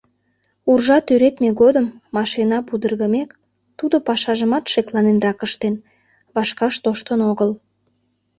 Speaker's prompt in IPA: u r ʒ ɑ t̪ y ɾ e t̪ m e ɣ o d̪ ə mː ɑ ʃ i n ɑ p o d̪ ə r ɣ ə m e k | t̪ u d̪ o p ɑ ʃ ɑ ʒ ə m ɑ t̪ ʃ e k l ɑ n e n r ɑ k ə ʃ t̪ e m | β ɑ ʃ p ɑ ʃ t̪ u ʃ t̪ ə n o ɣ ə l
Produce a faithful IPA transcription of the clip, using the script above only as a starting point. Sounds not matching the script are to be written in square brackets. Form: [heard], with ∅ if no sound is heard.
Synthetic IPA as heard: u r ʒ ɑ t̪ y ɾ e t̪ m e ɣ o d̪ ə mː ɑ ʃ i n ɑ p [u] d̪ ə r ɣ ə m e k | t̪ u d̪ o p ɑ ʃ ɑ ʒ ə m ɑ t̪ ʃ e k l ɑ n e n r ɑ k ə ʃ t̪ e [n] | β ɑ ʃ [k] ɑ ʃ t̪ [o] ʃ t̪ ə n o ɣ ə l